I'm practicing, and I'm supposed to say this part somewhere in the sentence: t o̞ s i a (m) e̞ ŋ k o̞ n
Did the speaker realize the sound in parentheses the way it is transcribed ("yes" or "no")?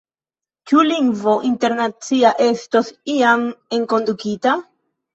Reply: yes